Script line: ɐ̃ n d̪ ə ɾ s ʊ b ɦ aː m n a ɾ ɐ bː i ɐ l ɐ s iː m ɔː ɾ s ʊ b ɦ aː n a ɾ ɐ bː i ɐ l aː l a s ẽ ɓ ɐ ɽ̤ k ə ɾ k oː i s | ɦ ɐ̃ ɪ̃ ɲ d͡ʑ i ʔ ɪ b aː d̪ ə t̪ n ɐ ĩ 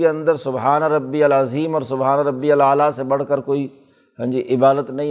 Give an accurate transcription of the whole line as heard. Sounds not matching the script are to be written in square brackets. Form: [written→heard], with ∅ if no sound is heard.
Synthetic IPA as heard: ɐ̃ n d̪ ə ɾ s ʊ b ɦ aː [m→∅] n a ɾ ɐ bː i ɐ l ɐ [s→z] iː m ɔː ɾ s ʊ b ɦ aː n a ɾ ɐ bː i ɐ l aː l a s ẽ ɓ ɐ ɽ̤ k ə ɾ k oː i [s→∅] | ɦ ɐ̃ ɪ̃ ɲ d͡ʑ i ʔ ɪ b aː d̪ ə t̪ n ɐ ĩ